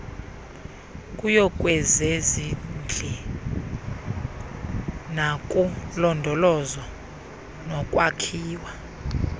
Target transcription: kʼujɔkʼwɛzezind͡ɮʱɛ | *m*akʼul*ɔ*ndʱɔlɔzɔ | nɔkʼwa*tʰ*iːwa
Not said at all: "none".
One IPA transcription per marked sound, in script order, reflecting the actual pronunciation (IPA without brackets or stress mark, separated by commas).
n, ɔ, kʰ